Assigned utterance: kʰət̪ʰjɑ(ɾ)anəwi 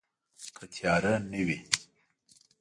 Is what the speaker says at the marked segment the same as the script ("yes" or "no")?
yes